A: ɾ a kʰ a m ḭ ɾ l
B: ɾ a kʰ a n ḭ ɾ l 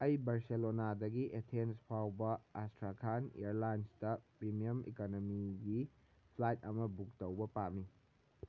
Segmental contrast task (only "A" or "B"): B